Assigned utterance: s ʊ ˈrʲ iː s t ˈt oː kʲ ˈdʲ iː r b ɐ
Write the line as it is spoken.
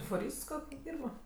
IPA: f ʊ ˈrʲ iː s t ˈk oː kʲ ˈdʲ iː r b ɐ